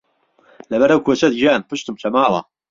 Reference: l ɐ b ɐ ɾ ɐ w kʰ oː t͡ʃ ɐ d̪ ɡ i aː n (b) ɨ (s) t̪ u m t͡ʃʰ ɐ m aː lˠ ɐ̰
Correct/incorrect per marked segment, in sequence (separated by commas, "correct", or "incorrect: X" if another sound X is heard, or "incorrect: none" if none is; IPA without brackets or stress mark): incorrect: p, incorrect: ʃ